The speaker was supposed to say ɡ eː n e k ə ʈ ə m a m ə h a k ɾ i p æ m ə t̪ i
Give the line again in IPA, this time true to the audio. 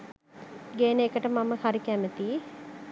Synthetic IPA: ɡ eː n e k ə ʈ ə m a m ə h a ɾ i k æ m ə t̪ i